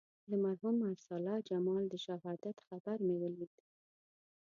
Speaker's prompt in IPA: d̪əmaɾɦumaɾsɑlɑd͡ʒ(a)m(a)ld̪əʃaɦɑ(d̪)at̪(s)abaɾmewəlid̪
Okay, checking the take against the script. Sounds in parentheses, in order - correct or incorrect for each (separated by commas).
correct, incorrect, correct, incorrect